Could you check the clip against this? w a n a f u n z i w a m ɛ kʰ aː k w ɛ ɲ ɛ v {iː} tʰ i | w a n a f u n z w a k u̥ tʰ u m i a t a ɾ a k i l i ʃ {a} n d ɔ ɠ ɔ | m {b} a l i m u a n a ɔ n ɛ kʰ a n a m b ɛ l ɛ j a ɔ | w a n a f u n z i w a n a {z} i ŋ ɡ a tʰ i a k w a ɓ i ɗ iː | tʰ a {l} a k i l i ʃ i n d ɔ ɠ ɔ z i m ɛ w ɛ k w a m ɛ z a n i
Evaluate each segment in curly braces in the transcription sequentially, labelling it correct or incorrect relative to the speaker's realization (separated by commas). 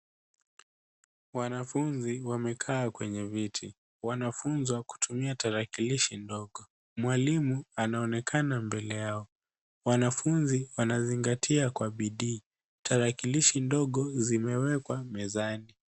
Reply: incorrect, incorrect, incorrect, correct, incorrect